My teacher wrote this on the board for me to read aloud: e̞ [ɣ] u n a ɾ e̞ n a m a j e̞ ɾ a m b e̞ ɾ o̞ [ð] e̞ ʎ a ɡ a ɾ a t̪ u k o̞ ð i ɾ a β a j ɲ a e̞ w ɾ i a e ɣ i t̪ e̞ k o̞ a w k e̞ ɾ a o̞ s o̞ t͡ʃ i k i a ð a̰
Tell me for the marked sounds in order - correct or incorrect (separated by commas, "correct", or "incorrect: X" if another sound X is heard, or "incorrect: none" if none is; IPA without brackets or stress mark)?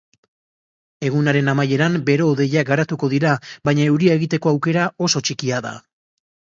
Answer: correct, correct